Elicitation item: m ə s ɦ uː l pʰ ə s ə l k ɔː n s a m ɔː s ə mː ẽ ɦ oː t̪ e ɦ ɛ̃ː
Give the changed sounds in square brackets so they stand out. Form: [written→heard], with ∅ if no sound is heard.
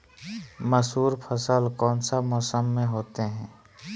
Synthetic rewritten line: m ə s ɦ uː [l→ɾ] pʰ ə s ə l k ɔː n s a m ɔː s ə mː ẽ ɦ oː t̪ e ɦ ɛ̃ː